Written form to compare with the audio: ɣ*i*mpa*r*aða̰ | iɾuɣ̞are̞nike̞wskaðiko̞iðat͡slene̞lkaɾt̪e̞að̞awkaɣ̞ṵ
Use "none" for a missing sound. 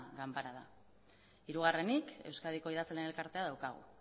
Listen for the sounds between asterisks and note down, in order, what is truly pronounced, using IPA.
a, ɾ

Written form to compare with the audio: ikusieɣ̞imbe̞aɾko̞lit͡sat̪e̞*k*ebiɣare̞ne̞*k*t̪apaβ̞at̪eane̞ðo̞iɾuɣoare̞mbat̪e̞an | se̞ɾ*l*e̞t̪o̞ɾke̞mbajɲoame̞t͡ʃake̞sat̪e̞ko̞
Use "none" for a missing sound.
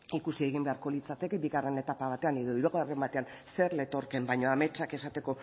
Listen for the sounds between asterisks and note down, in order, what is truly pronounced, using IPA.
k, none, l

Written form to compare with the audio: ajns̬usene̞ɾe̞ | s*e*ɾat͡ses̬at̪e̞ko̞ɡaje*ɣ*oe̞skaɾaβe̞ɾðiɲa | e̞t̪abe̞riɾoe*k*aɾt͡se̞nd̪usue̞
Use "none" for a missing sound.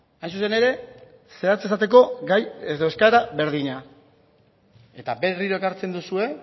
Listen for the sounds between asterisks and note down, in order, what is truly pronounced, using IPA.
e, ð, k

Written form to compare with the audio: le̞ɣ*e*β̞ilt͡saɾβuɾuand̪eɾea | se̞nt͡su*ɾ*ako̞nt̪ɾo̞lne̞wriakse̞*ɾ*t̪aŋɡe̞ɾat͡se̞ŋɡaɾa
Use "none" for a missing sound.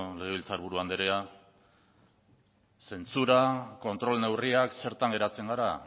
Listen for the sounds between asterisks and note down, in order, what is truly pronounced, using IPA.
e, ɾ, ɾ

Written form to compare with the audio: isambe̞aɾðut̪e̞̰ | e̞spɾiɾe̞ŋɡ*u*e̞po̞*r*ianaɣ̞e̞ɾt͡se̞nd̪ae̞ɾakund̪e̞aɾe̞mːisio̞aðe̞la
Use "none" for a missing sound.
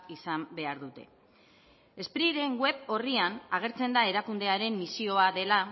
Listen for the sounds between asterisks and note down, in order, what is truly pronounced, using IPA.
w, r

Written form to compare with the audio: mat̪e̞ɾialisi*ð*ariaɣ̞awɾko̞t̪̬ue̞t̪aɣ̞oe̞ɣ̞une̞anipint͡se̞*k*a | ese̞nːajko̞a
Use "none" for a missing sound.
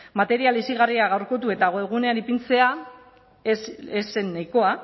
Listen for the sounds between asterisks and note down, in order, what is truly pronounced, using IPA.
ɣ, none

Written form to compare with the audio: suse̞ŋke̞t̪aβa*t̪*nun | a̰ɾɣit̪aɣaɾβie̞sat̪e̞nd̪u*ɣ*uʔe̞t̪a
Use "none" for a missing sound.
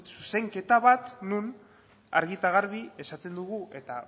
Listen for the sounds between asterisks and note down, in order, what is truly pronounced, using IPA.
t̪, ɣ

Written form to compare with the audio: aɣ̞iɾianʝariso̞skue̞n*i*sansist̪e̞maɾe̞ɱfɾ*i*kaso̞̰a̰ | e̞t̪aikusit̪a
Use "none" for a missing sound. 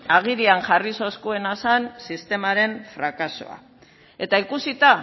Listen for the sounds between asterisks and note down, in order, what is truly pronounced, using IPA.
a, a

